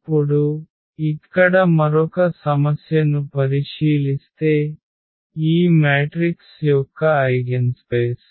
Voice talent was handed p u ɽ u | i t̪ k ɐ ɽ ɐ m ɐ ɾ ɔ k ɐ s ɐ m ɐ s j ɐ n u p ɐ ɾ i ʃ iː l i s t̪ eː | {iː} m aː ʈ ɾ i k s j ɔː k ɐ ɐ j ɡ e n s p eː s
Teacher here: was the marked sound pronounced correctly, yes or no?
yes